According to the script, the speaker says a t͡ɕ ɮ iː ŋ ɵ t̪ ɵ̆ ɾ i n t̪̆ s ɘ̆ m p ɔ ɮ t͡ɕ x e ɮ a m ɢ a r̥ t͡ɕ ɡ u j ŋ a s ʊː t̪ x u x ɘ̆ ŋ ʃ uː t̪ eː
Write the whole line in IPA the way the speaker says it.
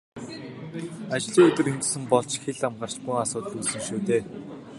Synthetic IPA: a t͡ɕ ɮ iː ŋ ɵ t̪ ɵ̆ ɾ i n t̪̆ s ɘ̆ m p ɔ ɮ t͡ɕ x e ɮ a m ɢ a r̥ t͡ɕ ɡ u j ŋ a s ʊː t̪ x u s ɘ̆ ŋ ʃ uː t̪ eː